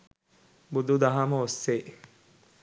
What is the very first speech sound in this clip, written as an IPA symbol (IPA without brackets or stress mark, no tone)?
b